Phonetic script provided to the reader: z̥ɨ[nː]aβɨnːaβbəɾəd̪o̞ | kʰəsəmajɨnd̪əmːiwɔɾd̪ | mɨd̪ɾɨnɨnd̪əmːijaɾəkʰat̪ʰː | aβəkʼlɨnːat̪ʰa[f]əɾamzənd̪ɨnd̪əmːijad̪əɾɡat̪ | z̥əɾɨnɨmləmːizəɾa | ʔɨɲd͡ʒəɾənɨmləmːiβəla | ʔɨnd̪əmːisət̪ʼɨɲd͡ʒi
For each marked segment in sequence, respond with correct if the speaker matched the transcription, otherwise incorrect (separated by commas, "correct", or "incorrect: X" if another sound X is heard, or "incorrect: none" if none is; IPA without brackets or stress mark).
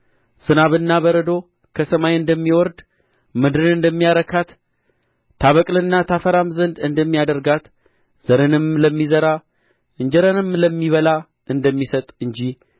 incorrect: n, correct